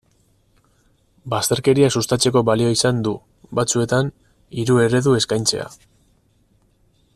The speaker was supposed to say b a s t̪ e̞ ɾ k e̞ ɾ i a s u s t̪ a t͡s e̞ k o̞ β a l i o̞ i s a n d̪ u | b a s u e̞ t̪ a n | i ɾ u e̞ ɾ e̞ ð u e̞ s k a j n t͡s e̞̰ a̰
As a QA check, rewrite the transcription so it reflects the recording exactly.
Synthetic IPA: b a s t̪ e̞ ɾ k e̞ ɾ i a s u s t̪ a t͡s e̞ k o̞ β a l i o̞ i s a n d̪ u | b a t͡s u e̞ t̪ a n | i ɾ u e̞ ɾ e̞ ð u e̞ s k a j n t͡s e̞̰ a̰